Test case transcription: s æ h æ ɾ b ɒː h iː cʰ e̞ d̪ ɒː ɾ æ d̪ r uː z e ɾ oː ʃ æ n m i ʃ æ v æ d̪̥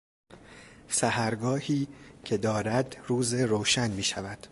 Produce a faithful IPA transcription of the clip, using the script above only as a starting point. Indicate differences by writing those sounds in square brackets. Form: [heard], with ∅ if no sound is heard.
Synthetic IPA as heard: s æ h æ ɾ [ɡ] ɒː h iː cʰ e̞ d̪ ɒː ɾ æ d̪ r uː z e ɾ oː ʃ æ n m [iː] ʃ æ v æ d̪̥